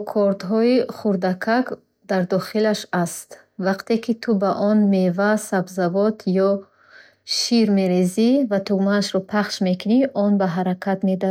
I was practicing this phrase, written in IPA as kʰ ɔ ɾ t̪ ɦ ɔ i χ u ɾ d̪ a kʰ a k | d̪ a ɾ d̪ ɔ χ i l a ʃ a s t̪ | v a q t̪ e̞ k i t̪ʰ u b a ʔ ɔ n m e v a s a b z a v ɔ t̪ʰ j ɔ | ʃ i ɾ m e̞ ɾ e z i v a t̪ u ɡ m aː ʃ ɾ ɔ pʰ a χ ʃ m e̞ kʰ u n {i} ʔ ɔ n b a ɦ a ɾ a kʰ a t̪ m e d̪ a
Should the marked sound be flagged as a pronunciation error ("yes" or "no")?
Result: no